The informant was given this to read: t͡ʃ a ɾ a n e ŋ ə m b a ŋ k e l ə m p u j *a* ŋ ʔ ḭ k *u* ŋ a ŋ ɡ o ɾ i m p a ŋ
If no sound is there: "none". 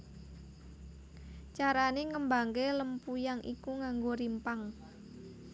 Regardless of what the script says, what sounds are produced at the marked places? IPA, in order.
a, u

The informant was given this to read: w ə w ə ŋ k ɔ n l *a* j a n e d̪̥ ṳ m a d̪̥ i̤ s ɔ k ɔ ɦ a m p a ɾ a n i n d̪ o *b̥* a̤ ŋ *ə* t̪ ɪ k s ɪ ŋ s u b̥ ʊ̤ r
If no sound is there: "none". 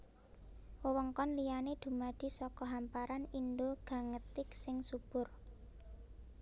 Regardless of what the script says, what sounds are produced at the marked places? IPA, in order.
i, ɡ̥, ə

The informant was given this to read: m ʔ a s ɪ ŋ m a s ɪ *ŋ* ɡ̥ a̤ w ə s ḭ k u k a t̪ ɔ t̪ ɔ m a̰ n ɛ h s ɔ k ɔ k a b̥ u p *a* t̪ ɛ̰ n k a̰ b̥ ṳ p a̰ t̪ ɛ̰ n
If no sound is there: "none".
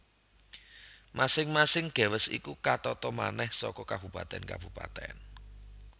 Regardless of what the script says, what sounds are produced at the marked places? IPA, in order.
ŋ, a

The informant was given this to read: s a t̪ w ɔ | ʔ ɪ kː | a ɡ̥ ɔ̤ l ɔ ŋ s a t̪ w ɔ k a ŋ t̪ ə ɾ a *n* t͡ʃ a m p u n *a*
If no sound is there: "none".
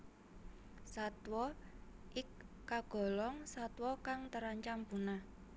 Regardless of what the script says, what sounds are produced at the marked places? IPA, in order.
ɲ, a

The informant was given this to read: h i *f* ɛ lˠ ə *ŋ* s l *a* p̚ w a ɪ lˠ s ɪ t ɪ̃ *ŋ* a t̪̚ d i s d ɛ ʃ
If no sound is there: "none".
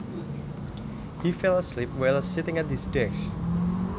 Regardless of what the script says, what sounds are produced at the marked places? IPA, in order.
f, none, i, ŋ

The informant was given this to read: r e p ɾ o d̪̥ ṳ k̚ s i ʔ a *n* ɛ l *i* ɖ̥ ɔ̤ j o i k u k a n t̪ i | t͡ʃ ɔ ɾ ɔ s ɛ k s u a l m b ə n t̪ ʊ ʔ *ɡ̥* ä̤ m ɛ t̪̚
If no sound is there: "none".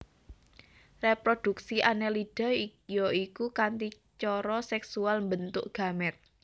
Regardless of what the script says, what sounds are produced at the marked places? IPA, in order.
n, i, ɡ̥

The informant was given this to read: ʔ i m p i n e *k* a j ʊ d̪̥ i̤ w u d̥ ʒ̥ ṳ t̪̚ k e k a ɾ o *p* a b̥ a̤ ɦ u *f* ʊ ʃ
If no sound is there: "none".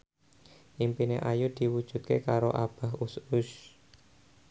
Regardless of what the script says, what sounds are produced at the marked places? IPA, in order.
ʔ, ʔ, s

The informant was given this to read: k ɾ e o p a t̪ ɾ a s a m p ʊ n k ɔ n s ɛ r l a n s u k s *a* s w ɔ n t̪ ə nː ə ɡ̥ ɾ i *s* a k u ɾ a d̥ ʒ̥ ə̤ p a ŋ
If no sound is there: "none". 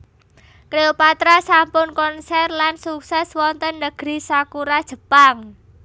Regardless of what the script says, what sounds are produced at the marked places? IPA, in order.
ɛ, s

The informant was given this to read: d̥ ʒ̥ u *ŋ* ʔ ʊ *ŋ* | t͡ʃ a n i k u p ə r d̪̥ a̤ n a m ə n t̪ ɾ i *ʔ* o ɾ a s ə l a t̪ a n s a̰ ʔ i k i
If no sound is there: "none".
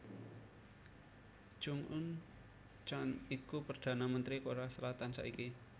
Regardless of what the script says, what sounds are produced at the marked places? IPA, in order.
ŋ, n, k

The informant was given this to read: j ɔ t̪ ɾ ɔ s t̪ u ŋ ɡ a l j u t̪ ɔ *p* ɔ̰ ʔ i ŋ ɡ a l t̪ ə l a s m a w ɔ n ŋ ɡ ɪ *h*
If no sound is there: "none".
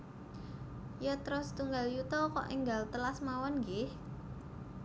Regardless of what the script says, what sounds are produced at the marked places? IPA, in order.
k, h

